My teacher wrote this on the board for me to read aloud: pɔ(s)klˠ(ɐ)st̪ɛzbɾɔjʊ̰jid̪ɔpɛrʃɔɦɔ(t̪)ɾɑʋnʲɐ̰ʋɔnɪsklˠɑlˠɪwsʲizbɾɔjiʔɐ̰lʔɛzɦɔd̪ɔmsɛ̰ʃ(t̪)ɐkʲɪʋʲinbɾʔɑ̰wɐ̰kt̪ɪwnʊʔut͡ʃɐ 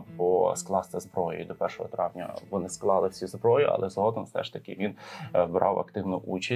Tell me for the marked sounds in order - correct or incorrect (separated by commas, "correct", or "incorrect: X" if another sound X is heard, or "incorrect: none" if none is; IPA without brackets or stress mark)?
correct, incorrect: ɑ, correct, correct